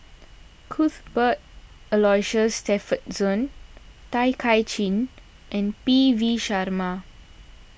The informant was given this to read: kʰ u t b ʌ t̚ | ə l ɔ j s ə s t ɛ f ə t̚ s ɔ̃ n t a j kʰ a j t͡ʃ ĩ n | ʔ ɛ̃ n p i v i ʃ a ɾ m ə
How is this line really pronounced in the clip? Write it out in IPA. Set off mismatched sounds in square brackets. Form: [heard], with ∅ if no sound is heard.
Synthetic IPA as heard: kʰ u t b [ə] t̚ | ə l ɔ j [ʃ] ə s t ɛ f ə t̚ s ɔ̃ n t a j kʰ a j t͡ʃ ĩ n | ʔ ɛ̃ n p i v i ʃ a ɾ m [a]